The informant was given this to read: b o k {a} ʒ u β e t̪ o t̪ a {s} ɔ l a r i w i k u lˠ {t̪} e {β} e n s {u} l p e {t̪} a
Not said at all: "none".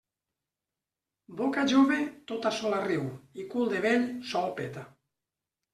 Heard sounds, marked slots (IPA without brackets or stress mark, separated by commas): a, s, d̪, β, ɔ, t̪